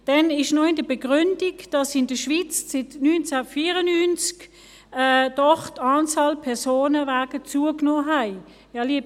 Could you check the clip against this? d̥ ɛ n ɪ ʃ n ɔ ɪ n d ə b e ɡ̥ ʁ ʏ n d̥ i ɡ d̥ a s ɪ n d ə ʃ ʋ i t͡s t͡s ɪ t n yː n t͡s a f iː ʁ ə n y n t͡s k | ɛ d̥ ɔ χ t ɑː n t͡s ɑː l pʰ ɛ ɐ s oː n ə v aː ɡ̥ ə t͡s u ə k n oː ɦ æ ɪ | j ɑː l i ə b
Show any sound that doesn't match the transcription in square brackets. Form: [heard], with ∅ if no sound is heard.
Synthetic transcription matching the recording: d̥ ɛ n ɪ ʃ n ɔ ɪ n d ə b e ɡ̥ ʁ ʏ n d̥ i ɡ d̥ [ɑ] s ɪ n d ə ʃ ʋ i t͡s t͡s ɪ t n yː n t͡s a f iː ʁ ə n y n t͡s k | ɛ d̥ ɔ χ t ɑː n t͡s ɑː l pʰ ɛ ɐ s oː n ə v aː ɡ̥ ə t͡s u ə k n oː ɦ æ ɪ | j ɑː l i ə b